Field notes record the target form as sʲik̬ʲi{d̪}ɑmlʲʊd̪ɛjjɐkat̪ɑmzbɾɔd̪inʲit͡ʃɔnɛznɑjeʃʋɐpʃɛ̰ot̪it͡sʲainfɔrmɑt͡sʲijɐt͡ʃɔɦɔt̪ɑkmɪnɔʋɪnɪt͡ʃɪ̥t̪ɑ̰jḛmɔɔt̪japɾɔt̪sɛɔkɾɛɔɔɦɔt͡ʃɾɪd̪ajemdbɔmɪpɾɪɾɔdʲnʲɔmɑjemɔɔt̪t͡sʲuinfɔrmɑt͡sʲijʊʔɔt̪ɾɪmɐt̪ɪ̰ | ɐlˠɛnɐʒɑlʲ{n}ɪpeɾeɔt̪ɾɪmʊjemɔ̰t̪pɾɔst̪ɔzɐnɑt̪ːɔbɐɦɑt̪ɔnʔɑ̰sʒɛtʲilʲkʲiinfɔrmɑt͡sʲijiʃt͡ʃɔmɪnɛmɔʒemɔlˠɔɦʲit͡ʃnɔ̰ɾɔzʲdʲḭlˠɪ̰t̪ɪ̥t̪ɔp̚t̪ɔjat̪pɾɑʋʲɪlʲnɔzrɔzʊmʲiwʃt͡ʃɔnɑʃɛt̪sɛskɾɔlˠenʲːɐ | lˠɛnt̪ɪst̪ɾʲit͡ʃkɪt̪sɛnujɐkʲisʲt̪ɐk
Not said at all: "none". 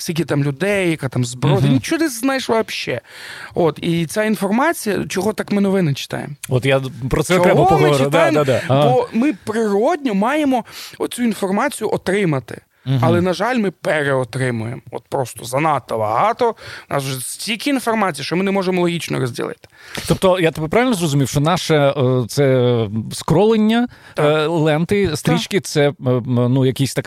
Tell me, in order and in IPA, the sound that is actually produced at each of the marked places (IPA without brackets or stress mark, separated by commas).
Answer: t̪, m